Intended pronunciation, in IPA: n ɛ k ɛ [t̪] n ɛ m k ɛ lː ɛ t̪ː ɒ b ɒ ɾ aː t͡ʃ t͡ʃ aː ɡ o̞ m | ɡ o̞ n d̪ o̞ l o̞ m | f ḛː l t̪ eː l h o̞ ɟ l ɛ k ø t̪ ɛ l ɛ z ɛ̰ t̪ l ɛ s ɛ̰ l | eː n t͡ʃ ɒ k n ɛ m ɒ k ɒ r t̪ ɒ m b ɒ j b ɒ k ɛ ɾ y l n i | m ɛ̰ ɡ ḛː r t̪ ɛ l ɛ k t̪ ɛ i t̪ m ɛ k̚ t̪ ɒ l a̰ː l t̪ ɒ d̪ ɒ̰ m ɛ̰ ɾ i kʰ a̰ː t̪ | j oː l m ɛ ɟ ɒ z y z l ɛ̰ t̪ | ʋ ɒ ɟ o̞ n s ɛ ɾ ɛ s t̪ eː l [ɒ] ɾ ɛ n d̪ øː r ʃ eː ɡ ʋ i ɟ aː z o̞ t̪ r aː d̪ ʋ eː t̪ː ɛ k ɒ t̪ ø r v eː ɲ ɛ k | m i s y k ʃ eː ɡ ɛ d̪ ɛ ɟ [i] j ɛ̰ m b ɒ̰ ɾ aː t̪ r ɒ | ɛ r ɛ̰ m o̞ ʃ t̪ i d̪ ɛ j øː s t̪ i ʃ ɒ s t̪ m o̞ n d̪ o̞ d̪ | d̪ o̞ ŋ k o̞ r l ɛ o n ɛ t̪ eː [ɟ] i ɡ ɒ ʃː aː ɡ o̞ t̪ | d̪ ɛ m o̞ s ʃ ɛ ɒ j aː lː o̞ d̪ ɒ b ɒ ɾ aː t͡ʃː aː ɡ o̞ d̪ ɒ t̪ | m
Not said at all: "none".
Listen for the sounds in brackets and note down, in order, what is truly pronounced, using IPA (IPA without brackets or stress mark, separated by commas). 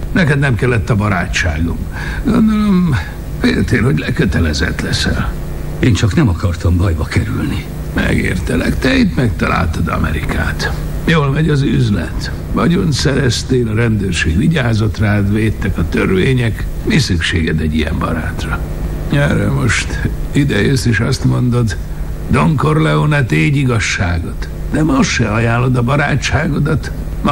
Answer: d̪, ɒ, i, ɟ